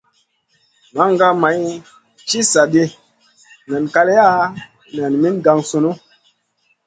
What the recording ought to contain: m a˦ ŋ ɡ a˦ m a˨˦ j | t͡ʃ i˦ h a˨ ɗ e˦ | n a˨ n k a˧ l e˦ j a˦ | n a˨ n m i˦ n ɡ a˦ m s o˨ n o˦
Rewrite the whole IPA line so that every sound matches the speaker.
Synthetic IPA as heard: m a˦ ŋ ɡ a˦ m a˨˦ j | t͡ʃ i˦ s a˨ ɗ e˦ | n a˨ n k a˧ l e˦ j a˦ | n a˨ n m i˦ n ɡ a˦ ŋ s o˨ n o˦